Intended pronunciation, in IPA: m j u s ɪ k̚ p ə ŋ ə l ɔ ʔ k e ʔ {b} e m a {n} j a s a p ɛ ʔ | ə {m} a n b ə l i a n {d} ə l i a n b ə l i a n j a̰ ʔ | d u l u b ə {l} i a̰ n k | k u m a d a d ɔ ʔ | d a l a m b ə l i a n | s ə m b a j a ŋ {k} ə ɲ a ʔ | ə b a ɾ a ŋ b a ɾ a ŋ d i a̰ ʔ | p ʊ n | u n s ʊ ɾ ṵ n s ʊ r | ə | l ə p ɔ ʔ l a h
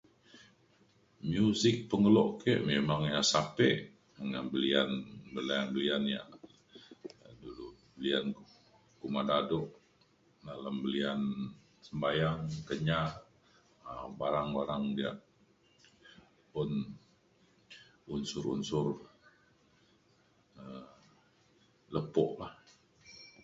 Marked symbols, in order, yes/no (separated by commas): no, no, no, no, yes, yes